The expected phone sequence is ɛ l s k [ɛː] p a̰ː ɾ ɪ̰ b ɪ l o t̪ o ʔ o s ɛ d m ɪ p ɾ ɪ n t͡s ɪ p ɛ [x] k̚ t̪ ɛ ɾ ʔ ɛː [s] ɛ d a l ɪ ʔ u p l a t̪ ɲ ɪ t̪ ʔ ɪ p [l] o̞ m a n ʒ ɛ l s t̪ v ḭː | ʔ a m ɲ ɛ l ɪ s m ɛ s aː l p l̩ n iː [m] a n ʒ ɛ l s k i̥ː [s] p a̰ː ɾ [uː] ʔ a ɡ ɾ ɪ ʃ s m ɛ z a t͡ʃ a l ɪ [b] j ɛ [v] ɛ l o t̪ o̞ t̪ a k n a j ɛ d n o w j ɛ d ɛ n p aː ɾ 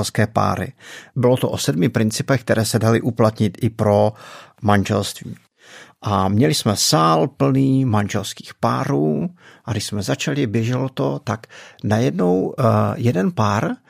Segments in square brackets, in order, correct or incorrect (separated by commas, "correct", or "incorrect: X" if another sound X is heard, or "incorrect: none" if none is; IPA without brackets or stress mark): correct, correct, correct, incorrect: ɾ, correct, incorrect: x, correct, correct, incorrect: ʒ